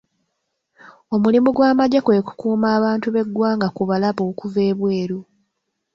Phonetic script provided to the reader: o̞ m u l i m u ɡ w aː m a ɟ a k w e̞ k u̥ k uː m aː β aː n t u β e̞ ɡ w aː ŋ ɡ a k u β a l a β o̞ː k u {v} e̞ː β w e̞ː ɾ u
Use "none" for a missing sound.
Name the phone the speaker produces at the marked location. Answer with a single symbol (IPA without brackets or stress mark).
v